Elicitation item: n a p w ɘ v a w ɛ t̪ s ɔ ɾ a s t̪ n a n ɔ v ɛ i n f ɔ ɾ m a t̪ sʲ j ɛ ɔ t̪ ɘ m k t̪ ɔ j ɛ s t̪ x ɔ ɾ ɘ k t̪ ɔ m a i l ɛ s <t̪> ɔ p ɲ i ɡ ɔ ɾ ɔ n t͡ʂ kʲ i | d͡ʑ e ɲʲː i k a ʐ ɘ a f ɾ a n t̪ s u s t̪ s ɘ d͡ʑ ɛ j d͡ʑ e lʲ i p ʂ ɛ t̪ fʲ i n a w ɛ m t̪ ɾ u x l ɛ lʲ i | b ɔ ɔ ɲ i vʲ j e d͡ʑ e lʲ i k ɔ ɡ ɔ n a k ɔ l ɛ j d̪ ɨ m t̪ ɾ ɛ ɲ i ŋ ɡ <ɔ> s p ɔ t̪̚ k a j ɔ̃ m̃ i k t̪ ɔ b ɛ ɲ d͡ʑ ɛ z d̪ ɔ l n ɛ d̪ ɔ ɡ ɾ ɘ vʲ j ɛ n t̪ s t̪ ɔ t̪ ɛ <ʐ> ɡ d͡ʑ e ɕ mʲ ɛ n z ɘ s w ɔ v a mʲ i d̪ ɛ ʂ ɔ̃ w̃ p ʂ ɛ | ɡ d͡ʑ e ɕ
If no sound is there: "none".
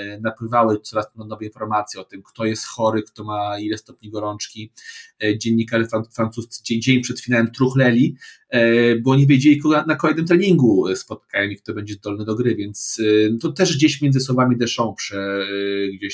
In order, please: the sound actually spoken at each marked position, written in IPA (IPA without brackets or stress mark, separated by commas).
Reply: t̪, u, ʐ